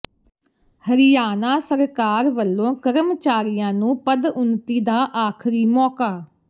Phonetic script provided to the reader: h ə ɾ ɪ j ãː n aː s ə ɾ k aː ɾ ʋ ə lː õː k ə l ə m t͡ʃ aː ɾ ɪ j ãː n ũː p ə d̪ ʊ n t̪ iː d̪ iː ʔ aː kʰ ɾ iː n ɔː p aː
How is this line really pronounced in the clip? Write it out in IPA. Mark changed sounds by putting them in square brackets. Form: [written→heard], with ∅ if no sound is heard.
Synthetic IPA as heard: h ə ɾ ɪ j [ãː→aː] n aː s ə ɾ k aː ɾ ʋ ə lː õː k ə [l→ɾ] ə m t͡ʃ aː ɾ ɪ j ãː n ũː p ə d̪ ʊ n t̪ iː d̪ [iː→aː] ʔ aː kʰ ɾ iː [n→m] ɔː [p→k] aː